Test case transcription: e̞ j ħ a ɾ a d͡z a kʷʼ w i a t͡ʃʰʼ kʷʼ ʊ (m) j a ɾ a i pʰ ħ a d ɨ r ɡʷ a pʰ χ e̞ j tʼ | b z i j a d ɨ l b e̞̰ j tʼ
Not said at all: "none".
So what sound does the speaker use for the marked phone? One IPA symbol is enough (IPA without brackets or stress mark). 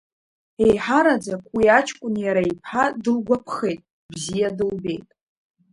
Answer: n